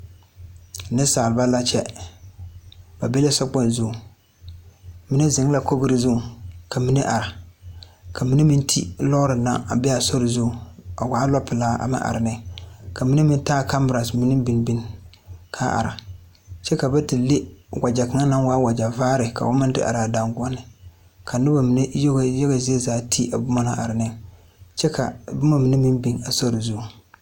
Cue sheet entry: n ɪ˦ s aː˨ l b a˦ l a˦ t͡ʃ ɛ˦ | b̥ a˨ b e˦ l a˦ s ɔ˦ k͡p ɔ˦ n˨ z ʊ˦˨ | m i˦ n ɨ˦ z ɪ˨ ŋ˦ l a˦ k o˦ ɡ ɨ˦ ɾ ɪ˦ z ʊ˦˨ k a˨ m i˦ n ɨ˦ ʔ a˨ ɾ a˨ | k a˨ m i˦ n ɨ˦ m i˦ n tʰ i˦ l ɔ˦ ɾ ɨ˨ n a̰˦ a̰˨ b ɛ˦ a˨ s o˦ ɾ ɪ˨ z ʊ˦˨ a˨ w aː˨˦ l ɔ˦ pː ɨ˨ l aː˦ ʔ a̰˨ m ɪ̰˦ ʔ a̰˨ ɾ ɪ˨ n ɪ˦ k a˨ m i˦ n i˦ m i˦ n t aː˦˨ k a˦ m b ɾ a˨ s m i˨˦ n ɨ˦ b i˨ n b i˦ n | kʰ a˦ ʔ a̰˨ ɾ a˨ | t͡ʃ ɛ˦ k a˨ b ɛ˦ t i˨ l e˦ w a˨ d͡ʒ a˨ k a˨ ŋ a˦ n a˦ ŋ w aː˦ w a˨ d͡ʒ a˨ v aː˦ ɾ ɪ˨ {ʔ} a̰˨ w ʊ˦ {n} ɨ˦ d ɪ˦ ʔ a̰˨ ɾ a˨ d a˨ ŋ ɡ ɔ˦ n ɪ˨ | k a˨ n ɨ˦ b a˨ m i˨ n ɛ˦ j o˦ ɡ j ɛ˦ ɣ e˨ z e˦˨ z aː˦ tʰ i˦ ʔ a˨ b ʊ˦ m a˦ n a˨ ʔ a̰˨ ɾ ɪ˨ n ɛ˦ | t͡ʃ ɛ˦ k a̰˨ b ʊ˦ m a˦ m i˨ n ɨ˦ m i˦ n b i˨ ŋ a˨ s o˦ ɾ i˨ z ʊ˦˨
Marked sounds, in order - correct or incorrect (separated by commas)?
incorrect, incorrect